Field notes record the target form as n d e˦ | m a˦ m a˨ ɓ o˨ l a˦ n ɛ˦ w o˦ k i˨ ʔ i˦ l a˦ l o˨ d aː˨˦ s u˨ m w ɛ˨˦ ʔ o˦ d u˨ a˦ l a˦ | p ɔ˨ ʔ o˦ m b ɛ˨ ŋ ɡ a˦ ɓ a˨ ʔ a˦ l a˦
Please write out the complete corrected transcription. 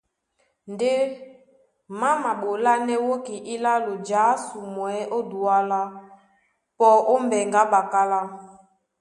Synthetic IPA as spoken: n d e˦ | m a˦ m a˨ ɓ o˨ l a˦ n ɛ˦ w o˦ k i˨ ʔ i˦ l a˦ l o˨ d͡ʒ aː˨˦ s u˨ m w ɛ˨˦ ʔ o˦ d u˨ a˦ l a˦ | p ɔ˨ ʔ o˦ m b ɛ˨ ŋ ɡ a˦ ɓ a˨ k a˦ l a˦